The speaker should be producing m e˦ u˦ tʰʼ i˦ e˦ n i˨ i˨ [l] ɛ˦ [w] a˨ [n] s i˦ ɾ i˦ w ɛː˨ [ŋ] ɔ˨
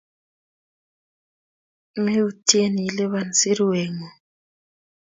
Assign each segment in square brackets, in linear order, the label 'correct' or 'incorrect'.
correct, incorrect, correct, correct

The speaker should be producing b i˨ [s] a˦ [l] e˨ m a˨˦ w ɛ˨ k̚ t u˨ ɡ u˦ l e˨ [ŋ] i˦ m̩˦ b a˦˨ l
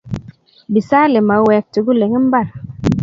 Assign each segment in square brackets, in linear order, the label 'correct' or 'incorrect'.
correct, correct, correct

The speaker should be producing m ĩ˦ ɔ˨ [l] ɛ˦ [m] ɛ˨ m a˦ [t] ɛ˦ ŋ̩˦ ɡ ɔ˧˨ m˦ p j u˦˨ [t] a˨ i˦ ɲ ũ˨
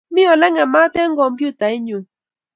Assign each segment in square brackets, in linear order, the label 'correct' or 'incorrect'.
correct, incorrect, correct, correct

